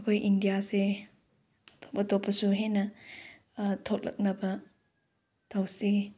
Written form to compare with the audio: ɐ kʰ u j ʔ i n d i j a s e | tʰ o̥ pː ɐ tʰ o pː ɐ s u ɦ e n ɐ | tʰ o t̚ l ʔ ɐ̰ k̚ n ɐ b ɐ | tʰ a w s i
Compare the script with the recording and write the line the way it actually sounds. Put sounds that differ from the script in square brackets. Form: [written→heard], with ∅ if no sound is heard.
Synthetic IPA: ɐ kʰ [u→o] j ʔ i n d i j a s e | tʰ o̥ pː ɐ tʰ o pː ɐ s u ɦ e n ɐ | tʰ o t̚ l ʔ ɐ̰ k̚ n ɐ b ɐ | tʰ a w s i